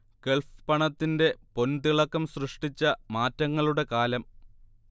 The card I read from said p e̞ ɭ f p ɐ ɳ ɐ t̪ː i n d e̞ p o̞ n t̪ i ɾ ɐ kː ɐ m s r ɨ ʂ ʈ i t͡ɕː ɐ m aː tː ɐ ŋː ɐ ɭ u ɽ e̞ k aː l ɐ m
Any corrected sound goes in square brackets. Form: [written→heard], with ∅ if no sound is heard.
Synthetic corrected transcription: [p→k] e̞ ɭ f p ɐ ɳ ɐ t̪ː i n d e̞ p o̞ n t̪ i [ɾ→ɭ] ɐ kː ɐ m s r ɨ ʂ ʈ i t͡ɕː ɐ m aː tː ɐ ŋː ɐ ɭ u ɽ e̞ k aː l ɐ m

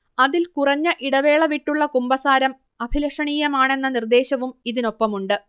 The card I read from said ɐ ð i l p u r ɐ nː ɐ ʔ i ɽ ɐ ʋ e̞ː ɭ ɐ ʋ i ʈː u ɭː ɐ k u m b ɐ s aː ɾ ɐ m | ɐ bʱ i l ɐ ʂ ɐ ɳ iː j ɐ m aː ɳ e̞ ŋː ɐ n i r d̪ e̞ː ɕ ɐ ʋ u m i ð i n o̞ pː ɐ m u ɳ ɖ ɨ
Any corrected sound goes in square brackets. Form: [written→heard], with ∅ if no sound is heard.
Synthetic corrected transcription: ɐ ð i l [p→k] u r ɐ [nː→ɲː] ɐ ʔ i ɽ ɐ ʋ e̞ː ɭ ɐ ʋ i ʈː u ɭː ɐ k u m b ɐ s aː ɾ ɐ m | ɐ bʱ i l ɐ ʂ ɐ ɳ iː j ɐ m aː ɳ e̞ [ŋː→nː] ɐ n i r d̪ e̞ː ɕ ɐ ʋ u m i ð i n o̞ pː ɐ m u ɳ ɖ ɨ

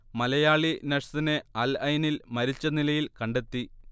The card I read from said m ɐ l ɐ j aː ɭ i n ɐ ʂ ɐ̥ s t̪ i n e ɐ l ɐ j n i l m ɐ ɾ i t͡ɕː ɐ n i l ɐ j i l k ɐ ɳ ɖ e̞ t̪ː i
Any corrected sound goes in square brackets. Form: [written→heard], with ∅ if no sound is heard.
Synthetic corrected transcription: m ɐ l ɐ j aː ɭ i n ɐ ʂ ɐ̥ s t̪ i n e ɐ l ɐ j n i l m ɐ ɾ i t͡ɕː ɐ n i l ɐ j i l k ɐ ɳ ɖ e̞ t̪ː i

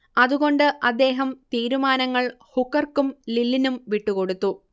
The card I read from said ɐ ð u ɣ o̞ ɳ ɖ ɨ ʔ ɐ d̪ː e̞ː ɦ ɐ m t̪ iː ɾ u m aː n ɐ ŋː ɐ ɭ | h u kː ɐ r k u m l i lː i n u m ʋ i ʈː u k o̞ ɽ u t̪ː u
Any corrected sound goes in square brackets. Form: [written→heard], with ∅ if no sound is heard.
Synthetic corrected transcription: ɐ ð u ɣ o̞ ɳ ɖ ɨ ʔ ɐ d̪ː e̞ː ɦ ɐ m t̪ iː ɾ u m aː n ɐ ŋː ɐ ɭ | h u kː ɐ r k u m l i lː i n u m ʋ i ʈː u k o̞ ɽ u t̪ː u

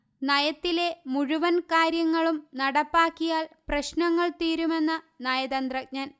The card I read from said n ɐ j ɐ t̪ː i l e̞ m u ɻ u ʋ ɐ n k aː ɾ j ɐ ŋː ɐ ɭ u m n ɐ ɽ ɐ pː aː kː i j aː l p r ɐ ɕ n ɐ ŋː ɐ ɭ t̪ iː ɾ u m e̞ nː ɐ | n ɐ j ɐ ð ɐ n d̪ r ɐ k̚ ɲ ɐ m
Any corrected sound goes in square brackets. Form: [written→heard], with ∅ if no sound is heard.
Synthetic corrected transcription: n ɐ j ɐ t̪ː i l e̞ m u ɻ u ʋ ɐ n k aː ɾ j ɐ ŋː ɐ ɭ u m n ɐ ɽ ɐ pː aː kː i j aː l p r ɐ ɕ n ɐ ŋː ɐ ɭ t̪ iː ɾ u m e̞ nː ɐ | n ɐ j ɐ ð ɐ n d̪ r ɐ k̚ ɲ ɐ [m→n]

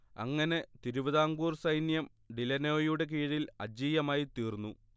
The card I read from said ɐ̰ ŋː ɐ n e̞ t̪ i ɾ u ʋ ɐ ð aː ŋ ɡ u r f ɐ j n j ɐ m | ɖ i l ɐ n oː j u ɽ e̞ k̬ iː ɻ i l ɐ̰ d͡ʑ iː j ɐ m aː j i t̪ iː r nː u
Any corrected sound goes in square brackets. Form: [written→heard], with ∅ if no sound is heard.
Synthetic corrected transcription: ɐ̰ ŋː ɐ n e̞ t̪ i ɾ u ʋ ɐ ð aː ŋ ɡ [u→uː] r [f→s] ɐ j n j ɐ m | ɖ i l ɐ n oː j u ɽ e̞ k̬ iː ɻ i l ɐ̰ d͡ʑ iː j ɐ m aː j i t̪ iː r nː u

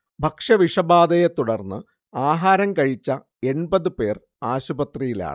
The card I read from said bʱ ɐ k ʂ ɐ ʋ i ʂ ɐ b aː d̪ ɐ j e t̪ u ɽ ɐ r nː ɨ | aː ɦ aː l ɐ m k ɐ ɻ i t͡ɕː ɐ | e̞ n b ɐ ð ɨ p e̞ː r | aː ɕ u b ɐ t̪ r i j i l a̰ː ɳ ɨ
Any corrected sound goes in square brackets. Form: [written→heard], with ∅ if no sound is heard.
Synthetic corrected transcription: bʱ ɐ k ʂ ɐ ʋ i ʂ ɐ b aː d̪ ɐ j e t̪ u ɽ ɐ r nː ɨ | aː ɦ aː [l→ɾ] ɐ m k ɐ ɻ i t͡ɕː ɐ | e̞ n b ɐ ð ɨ p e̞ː r | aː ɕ u b ɐ t̪ r i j i l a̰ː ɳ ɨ

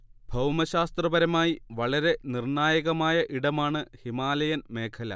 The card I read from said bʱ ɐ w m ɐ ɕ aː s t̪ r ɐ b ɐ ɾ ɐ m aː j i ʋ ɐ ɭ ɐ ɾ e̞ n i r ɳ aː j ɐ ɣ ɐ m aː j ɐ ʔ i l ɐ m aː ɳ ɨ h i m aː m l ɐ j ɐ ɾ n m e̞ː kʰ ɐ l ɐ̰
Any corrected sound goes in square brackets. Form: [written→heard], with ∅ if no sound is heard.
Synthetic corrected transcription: bʱ ɐ w m ɐ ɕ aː s t̪ r ɐ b ɐ ɾ ɐ m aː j i ʋ ɐ ɭ ɐ ɾ e̞ n i r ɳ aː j ɐ ɣ ɐ m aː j ɐ ʔ i [l→ɽ] ɐ m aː ɳ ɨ h i m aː [m→∅] l ɐ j ɐ [ɾ→∅] n m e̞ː kʰ ɐ l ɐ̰

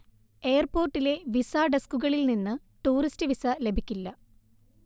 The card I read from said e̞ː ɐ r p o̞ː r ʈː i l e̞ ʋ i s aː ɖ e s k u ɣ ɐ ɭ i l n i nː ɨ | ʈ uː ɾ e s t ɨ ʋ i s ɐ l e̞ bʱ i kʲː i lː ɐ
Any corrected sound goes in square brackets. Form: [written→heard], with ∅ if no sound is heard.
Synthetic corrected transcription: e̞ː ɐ r p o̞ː r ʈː i l e̞ ʋ i s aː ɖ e s k u ɣ ɐ ɭ i l n i nː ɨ | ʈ uː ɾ [e→i] s t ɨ ʋ i s ɐ l e̞ bʱ i kʲː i lː ɐ

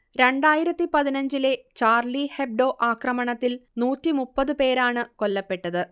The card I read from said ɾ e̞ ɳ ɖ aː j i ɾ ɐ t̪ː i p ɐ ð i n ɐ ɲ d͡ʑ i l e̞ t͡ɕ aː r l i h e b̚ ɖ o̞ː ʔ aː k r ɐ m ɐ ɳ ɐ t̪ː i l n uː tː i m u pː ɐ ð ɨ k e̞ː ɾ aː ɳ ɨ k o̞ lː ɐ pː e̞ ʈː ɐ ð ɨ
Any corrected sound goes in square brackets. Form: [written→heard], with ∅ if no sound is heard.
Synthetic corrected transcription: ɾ e̞ ɳ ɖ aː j i ɾ ɐ t̪ː i p ɐ ð i n ɐ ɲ d͡ʑ i l e̞ t͡ɕ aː r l i h e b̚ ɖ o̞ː ʔ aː k r ɐ m ɐ ɳ ɐ t̪ː i l n uː tː i m u pː ɐ ð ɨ [k→p] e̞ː ɾ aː ɳ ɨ k o̞ lː ɐ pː e̞ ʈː ɐ ð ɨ

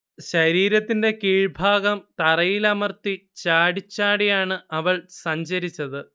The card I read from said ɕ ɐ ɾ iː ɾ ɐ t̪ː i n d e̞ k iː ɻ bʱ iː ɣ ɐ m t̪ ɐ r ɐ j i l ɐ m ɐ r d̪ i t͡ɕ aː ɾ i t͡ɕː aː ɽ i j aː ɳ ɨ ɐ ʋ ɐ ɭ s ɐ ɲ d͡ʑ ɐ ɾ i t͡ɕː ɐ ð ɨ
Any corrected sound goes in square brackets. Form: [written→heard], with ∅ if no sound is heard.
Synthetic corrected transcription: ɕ ɐ ɾ iː ɾ ɐ t̪ː i n d e̞ k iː ɻ bʱ [iː→aː] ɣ ɐ m t̪ ɐ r ɐ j i l ɐ m ɐ r [d̪→t̪] i t͡ɕ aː [ɾ→ɽ] i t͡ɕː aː ɽ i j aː ɳ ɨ ɐ ʋ ɐ ɭ s ɐ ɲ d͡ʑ ɐ ɾ i t͡ɕː ɐ ð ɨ

